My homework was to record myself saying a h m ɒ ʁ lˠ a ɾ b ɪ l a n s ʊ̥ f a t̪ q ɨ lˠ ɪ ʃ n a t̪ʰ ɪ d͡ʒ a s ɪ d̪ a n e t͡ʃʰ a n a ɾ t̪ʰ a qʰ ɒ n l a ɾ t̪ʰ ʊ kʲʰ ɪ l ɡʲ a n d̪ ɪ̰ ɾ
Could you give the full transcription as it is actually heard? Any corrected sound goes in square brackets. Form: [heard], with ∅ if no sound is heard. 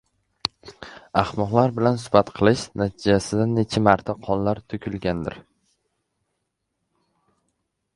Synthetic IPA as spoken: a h m ɒ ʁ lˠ a ɾ b ɪ l a n s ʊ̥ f a t̪ [qʰ] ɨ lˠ ɪ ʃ n a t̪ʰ ɪ d͡ʒ a s ɪ d̪ a n e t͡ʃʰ a [m] a ɾ t̪ʰ a qʰ ɒ n l a ɾ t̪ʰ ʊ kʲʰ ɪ l ɡʲ a n d̪ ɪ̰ ɾ

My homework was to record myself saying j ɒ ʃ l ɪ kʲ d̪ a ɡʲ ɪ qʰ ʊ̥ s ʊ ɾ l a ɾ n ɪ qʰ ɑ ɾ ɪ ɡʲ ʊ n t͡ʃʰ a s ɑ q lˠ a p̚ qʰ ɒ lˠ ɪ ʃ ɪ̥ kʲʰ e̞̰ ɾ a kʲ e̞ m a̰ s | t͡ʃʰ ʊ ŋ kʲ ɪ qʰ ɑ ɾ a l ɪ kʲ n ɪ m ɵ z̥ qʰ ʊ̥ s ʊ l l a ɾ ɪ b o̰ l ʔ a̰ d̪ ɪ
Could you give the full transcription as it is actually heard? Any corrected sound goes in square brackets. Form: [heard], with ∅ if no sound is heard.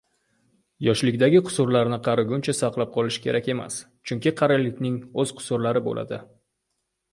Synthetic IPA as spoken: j ɒ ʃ l ɪ kʲ d̪ a ɡʲ ɪ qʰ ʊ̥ s ʊ ɾ l a ɾ n ɪ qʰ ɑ ɾ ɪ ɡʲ ʊ n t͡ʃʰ a s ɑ q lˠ a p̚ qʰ ɒ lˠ ɪ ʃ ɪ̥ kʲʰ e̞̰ ɾ a kʲ e̞ m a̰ s | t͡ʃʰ ʊ ŋ kʲ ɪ qʰ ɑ ɾ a l ɪ kʲ n ɪ [ŋ] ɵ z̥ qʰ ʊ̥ s ʊ [ɾ] l a ɾ ɪ b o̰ l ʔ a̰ d̪ ɪ

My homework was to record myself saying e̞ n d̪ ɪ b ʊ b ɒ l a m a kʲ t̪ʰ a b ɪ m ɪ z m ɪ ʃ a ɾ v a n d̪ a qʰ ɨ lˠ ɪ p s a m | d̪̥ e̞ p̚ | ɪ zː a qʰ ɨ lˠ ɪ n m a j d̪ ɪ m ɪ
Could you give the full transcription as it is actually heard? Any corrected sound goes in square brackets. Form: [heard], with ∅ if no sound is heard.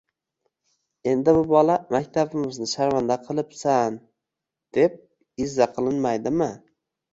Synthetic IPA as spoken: e̞ n d̪ ɪ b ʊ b ɒ l a m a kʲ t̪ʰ a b ɪ m ɪ z [n] ɪ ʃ a ɾ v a n d̪ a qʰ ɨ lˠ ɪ p s a [n] | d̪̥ e̞ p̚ | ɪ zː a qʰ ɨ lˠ ɪ n m a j d̪ ɪ m ɪ

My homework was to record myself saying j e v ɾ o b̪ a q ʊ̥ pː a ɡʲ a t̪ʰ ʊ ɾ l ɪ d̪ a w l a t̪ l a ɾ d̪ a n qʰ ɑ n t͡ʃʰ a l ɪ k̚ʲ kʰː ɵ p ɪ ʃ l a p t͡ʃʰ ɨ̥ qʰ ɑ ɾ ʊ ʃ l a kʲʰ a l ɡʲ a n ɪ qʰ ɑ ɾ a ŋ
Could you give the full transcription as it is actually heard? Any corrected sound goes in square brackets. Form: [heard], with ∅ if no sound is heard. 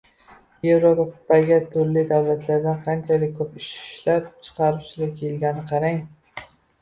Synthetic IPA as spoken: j e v ɾ o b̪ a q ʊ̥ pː a ɡʲ a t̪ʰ ʊ ɾ l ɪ d̪ a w l a t̪ l a ɾ d̪ a n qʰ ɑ n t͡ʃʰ a l ɪ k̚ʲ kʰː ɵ p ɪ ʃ l a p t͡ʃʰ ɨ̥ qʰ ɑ ɾ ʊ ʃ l a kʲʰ [e] l ɡʲ a n ɪ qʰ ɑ ɾ a ŋ

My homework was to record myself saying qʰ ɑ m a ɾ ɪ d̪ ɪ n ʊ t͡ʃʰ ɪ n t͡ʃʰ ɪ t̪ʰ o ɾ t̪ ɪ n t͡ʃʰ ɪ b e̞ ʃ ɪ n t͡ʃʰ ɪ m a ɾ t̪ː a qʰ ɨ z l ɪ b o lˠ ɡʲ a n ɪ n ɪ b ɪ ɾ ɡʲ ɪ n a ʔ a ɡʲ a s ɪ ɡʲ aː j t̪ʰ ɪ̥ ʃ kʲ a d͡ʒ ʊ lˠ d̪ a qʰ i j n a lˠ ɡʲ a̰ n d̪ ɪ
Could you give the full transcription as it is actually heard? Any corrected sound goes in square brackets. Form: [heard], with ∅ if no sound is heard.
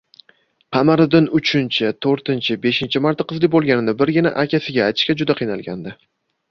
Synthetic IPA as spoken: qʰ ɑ m a ɾ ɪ d̪ ɪ n ʊ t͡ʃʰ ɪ n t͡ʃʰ ɪ t̪ʰ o ɾ t̪ ɪ n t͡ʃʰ ɪ b e̞ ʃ ɪ n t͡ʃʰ ɪ m a ɾ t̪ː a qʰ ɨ z l ɪ b o lˠ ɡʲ a n ɪ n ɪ b ɪ ɾ ɡʲ ɪ n a ʔ a [kʲ] a s ɪ ɡʲ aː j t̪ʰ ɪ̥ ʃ kʲ a d͡ʒ ʊ [∅] d̪ a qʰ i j n a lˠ ɡʲ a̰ n d̪ ɪ

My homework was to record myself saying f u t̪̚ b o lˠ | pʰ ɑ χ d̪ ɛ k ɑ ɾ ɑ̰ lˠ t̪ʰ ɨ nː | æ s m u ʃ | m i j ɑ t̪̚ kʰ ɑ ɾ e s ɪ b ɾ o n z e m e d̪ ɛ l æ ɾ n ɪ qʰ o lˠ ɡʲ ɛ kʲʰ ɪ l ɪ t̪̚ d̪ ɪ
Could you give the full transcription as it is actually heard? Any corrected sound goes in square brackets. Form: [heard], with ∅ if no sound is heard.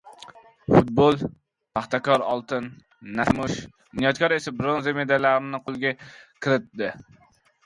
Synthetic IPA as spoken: f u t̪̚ b o lˠ | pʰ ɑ χ [t̪] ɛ k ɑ ɾ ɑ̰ lˠ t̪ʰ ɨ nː | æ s m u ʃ | [n] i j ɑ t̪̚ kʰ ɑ ɾ e s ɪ b ɾ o n z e m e d̪ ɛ l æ ɾ n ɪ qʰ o lˠ ɡʲ ɛ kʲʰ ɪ [ɾ] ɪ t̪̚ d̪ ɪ

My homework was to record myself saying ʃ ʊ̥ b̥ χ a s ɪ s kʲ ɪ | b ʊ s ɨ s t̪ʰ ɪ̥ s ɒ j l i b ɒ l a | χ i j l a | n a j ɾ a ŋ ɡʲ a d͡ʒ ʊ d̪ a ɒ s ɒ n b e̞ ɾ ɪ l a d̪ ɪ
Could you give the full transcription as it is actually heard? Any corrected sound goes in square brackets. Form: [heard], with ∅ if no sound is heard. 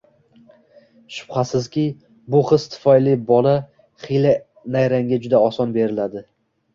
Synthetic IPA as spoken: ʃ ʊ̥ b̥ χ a s ɪ [z] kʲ ɪ | b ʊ [χ] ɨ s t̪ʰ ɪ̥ [f] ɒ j l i b ɒ l a | χ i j l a | n a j ɾ a ŋ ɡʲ a d͡ʒ ʊ d̪ a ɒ s ɒ n b e̞ ɾ ɪ l a d̪ ɪ

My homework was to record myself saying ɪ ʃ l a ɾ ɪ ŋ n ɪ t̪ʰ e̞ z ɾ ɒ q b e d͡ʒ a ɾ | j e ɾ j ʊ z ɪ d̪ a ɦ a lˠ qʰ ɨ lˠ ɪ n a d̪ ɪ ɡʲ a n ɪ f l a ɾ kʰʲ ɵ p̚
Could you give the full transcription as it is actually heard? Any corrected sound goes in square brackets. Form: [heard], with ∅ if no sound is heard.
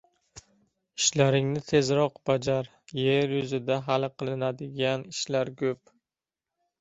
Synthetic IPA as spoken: ɪ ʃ l a ɾ ɪ ŋ n ɪ t̪ʰ e̞ z ɾ ɒ q b [a] d͡ʒ a ɾ | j e ɾ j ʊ z ɪ d̪ a ɦ a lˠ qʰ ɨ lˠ ɪ n a d̪ ɪ ɡʲ a n ɪ [ʃ] l a ɾ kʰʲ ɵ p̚

